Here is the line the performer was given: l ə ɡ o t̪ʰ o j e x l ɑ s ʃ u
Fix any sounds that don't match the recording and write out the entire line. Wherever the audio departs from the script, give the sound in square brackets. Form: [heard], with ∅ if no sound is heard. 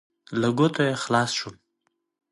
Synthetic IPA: l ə ɡ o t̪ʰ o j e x l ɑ s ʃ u